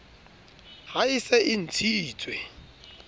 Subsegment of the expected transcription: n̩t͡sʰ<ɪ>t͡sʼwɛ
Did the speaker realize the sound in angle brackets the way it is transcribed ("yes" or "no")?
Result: no